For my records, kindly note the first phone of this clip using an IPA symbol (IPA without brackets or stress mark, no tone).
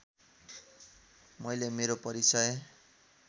m